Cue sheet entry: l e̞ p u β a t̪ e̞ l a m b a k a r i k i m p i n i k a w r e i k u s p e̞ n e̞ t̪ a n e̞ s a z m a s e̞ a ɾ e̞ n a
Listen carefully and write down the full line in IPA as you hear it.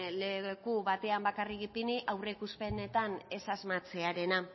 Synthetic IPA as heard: l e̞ k u β a t̪ e̞ a m b a k a r i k i p i n i ʔ a w r e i k u s p e̞ n e̞ t̪ a n e̞ s a z m a t͡s e̞ a ɾ e̞ n a